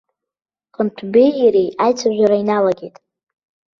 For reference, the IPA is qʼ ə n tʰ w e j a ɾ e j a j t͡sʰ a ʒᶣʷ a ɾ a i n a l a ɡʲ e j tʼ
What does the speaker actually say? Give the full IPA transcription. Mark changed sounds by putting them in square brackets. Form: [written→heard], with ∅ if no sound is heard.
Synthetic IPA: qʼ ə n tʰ [w→b] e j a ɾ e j a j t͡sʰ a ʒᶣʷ a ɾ a i n a l a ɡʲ e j tʼ